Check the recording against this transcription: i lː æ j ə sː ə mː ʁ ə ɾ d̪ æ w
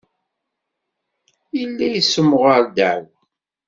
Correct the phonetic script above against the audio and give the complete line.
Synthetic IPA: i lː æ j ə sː ə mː ʁ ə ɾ d̪ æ w